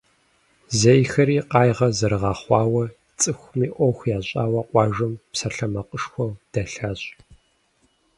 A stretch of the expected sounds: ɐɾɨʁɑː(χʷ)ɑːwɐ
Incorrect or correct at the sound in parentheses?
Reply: correct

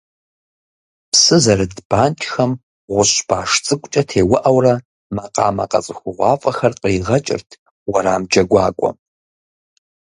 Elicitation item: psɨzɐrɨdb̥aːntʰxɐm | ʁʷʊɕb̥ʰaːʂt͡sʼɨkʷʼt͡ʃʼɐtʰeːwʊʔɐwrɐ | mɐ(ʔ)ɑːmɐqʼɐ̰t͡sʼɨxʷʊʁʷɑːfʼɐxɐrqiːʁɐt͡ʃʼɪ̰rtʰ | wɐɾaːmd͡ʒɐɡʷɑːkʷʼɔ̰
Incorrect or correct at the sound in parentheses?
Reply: incorrect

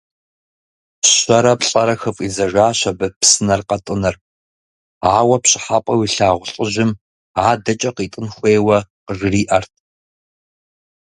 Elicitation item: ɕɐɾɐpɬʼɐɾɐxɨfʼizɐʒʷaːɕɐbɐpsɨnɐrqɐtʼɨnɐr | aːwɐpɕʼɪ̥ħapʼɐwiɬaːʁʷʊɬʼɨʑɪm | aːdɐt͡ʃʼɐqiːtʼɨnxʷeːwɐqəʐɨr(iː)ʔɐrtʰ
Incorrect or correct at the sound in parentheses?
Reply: correct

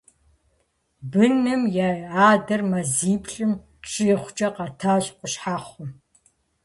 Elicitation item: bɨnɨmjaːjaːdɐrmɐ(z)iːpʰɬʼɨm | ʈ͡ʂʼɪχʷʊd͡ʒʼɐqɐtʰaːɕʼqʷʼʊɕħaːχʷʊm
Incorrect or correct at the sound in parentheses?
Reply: correct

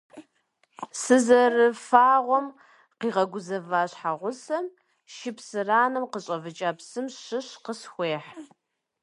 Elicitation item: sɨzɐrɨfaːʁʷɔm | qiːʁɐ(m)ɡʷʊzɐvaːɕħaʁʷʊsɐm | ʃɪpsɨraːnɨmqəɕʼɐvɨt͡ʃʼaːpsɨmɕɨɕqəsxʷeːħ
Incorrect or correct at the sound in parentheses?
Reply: incorrect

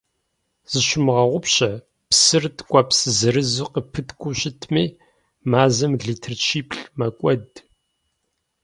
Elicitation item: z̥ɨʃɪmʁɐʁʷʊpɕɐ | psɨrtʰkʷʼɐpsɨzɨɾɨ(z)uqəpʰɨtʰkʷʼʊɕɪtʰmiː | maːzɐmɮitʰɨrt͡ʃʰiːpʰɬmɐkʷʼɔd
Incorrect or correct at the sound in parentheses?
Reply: correct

